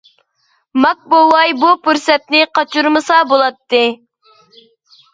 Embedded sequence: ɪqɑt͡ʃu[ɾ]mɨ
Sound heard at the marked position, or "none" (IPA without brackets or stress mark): ɾ